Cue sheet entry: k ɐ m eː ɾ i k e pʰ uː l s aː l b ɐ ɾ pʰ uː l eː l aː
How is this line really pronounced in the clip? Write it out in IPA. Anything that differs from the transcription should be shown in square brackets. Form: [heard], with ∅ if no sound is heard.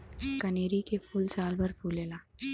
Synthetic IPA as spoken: k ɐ [n] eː ɾ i k e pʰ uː l s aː l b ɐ ɾ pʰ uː l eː l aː